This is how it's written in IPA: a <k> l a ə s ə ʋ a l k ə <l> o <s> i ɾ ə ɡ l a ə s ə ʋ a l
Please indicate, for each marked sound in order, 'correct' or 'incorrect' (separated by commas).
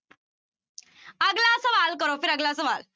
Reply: incorrect, incorrect, incorrect